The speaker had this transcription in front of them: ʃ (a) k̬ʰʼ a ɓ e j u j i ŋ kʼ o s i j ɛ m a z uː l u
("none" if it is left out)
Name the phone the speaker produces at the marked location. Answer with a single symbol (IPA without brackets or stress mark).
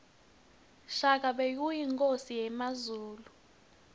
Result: a